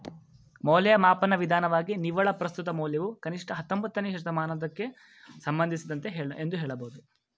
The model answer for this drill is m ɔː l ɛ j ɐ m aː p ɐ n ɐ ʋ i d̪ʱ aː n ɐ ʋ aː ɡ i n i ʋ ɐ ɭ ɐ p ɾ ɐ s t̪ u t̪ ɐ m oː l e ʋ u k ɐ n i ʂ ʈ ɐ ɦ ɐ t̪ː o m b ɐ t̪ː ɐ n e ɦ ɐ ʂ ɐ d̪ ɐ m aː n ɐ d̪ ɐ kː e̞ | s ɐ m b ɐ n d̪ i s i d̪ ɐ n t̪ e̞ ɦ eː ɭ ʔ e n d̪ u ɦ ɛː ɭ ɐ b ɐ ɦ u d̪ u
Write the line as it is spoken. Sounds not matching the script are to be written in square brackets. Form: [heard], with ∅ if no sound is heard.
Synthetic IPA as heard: m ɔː l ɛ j ɐ m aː p ɐ n ɐ ʋ i d̪ʱ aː n ɐ ʋ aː ɡ i n i ʋ ɐ ɭ ɐ p ɾ ɐ s t̪ u t̪ ɐ m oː l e ʋ u k ɐ n i ʂ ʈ ɐ ɦ ɐ t̪ː o m b ɐ t̪ː ɐ n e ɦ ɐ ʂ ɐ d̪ ɐ m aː n ɐ d̪ ɐ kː e̞ | s ɐ m b ɐ n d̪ i s i d̪ ɐ n t̪ e̞ ɦ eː ɭ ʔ e n d̪ u ɦ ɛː ɭ ɐ b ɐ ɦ u d̪ u

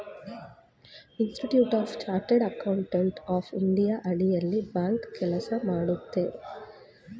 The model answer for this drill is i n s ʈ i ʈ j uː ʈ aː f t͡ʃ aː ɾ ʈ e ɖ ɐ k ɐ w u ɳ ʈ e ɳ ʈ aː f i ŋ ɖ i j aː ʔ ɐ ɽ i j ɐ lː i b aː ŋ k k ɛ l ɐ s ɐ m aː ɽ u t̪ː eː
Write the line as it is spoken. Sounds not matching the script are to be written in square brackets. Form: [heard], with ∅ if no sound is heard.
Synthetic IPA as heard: i n s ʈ i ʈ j uː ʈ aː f t͡ʃ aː ɾ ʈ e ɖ ɐ k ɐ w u ɳ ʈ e ɳ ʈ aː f i [ɳ] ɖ i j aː ʔ ɐ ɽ i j ɐ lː i b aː ŋ k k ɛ l ɐ s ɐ m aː ɽ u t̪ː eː

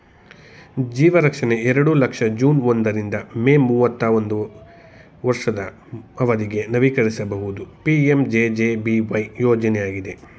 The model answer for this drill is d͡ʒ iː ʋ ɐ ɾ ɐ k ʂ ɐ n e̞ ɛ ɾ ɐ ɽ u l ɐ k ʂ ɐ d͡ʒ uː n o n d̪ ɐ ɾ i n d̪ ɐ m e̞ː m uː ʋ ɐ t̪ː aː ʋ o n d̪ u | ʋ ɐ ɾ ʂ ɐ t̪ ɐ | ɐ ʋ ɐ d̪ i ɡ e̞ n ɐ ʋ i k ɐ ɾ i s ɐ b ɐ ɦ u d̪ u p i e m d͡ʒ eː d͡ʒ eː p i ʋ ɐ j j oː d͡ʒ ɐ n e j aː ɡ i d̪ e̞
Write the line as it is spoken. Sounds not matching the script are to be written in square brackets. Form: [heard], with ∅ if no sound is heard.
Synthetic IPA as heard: d͡ʒ iː ʋ ɐ ɾ ɐ k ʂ ɐ n e̞ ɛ ɾ ɐ ɽ u l ɐ k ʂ ɐ d͡ʒ uː n o n d̪ ɐ ɾ i n d̪ ɐ m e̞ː m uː ʋ ɐ t̪ː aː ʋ o n d̪ u | ʋ ɐ ɾ ʂ ɐ [d̪] ɐ | ɐ ʋ ɐ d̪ i ɡ e̞ n ɐ ʋ i k ɐ ɾ i s ɐ b ɐ ɦ u d̪ u p i e m d͡ʒ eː d͡ʒ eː [b] i ʋ ɐ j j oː d͡ʒ ɐ n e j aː ɡ i d̪ e̞

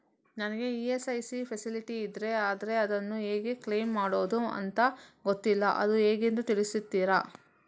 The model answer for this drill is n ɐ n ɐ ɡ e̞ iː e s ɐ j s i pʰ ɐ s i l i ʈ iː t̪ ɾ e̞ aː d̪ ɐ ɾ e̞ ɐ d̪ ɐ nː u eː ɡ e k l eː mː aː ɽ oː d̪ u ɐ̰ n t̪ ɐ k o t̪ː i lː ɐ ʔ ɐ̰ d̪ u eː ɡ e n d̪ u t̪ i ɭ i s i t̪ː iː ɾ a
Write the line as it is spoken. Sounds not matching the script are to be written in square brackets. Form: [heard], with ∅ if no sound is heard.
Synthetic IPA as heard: n ɐ n ɐ ɡ e̞ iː e s ɐ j s i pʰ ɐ s i l i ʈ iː [d̪] ɾ e̞ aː d̪ ɐ ɾ e̞ ɐ d̪ ɐ nː u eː ɡ e k l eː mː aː ɽ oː d̪ u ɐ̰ n t̪ ɐ [ɡ] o t̪ː i lː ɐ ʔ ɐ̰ d̪ u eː ɡ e n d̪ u t̪ i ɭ i s i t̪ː iː ɾ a

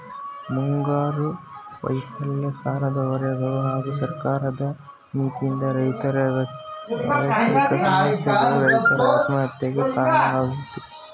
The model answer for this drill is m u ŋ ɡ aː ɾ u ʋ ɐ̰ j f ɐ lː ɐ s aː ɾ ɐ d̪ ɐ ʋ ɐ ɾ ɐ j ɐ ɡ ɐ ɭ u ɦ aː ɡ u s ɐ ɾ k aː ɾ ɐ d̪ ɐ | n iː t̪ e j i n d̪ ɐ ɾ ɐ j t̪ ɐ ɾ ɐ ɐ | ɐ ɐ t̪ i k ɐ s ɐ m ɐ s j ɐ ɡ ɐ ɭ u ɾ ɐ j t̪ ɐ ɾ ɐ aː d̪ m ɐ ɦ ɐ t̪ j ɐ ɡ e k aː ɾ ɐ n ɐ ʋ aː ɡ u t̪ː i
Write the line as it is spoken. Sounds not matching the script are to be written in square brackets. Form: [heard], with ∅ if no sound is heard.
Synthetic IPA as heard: m u ŋ ɡ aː ɾ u ʋ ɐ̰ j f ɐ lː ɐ s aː ɾ ɐ d̪ ɐ ʋ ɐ ɾ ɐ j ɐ ɡ ɐ ɭ u ɦ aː ɡ u s ɐ ɾ k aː ɾ ɐ d̪ ɐ | n iː t̪ [i] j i n d̪ ɐ ɾ ɐ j t̪ ɐ ɾ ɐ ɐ | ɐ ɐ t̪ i k ɐ s ɐ m ɐ s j ɐ ɡ ɐ ɭ u ɾ ɐ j t̪ ɐ ɾ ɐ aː [t̪] m ɐ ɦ ɐ t̪ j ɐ ɡ e k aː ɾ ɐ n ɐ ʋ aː ɡ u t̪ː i

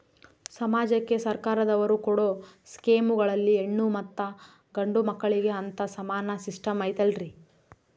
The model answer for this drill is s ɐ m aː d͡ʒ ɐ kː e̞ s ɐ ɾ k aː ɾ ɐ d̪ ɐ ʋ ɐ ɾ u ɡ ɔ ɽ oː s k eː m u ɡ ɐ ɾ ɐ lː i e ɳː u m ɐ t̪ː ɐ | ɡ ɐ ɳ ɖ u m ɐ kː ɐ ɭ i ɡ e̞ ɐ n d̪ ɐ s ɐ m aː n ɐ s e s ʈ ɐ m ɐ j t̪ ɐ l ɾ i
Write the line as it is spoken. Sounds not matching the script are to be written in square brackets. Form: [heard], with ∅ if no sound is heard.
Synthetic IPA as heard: s ɐ m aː d͡ʒ ɐ kː e̞ s ɐ ɾ k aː ɾ ɐ d̪ ɐ ʋ ɐ ɾ u [k] ɔ ɽ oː s k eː m u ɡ ɐ [ɭ] ɐ lː i e ɳː u m ɐ t̪ː ɐ | ɡ ɐ ɳ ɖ u m ɐ kː ɐ ɭ i ɡ e̞ ɐ n [t̪] ɐ s ɐ m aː n ɐ s [i] s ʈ ɐ m ɐ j t̪ ɐ l ɾ i

